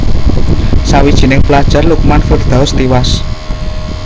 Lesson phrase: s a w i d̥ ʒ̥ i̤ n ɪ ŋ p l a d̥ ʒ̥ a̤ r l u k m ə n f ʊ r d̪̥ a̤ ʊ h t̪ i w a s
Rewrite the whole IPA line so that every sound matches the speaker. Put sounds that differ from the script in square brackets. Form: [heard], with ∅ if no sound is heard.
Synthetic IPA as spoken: s a w i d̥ ʒ̥ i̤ n ɪ ŋ p l a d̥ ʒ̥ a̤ r l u k m [a] n f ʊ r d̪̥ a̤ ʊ [s] t̪ i w a s